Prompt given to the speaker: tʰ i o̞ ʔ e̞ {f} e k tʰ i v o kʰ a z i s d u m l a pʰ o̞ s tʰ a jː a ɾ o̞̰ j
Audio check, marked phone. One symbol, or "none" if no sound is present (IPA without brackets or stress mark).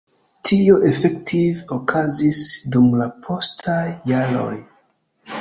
f